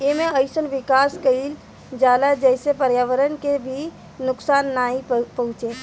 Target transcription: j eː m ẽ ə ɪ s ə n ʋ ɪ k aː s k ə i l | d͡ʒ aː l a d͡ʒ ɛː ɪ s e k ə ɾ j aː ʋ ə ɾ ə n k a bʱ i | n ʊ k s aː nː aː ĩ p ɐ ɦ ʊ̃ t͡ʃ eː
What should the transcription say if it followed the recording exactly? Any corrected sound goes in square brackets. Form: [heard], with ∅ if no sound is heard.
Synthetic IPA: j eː m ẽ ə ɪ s ə n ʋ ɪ k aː s k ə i l | d͡ʒ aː l a d͡ʒ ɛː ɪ s e [p] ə ɾ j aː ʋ ə ɾ ə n k [e] bʱ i | n ʊ k s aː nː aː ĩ p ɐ ɦ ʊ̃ t͡ʃ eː